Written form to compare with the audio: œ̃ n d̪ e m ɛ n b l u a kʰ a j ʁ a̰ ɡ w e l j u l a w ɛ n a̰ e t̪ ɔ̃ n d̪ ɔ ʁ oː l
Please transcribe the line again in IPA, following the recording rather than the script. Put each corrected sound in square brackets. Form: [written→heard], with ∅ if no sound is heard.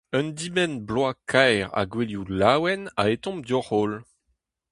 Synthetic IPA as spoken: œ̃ n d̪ [e→i] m ɛ n b l [u→w] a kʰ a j ʁ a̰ ɡ w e l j u l a w ɛ n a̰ e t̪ ɔ̃ [n→m] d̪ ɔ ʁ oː l